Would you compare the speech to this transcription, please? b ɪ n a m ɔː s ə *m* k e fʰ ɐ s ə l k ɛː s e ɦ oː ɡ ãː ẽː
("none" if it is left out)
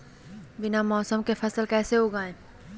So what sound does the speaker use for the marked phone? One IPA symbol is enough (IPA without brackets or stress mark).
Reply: m